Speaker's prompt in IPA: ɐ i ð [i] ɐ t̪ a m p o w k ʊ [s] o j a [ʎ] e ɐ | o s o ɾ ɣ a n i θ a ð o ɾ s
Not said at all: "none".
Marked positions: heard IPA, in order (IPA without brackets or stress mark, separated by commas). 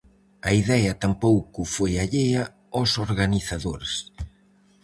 ɛ, f, ʎ